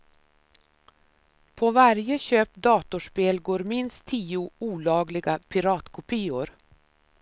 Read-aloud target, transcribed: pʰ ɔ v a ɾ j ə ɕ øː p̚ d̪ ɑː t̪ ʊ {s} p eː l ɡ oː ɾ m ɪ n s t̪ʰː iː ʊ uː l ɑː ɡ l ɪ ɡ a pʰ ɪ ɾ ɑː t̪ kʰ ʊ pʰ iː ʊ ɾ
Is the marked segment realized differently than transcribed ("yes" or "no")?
yes